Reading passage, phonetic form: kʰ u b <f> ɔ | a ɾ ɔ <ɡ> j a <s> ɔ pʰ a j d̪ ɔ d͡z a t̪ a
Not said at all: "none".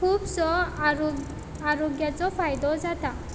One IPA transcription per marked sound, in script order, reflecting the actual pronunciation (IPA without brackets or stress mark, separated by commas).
s, ɡ, t͡s